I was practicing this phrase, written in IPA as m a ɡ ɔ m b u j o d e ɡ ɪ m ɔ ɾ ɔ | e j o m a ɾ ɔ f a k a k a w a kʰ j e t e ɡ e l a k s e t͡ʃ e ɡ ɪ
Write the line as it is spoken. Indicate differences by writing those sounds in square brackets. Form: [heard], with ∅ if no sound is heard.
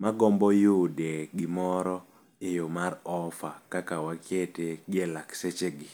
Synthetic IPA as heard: m a ɡ ɔ m b [ɔ] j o d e ɡ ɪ m ɔ ɾ ɔ | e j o m a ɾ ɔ f a k a k a w a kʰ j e t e ɡ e l a k s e t͡ʃ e ɡ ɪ